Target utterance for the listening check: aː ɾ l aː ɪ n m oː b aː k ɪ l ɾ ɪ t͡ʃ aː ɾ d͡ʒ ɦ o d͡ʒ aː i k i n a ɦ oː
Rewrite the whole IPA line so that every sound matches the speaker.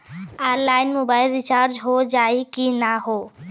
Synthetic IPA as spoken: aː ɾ l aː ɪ n m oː b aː ɪ l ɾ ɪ t͡ʃ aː ɾ d͡ʒ ɦ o d͡ʒ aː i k i n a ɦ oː